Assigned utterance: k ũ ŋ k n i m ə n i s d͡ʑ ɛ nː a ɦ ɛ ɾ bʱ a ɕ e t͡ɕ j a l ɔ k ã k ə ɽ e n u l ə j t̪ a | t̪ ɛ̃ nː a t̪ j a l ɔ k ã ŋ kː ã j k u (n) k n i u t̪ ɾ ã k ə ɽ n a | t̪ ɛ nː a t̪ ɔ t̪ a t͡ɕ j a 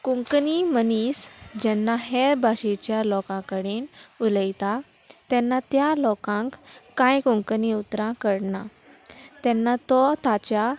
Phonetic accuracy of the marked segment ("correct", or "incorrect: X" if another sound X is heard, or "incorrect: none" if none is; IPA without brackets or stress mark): incorrect: ŋ